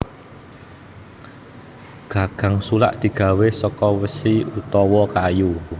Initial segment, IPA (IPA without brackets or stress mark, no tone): ɡ̥